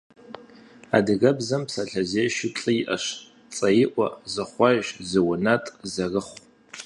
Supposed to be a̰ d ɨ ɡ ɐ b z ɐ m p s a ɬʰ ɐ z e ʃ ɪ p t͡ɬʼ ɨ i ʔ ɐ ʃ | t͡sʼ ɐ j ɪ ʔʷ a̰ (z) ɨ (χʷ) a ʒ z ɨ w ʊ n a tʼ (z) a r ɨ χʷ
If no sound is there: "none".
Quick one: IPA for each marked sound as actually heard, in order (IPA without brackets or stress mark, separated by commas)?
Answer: z, χʷ, z